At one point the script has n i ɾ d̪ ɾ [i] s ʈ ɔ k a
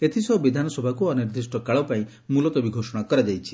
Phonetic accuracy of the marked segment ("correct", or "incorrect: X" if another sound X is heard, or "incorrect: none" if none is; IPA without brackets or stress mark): correct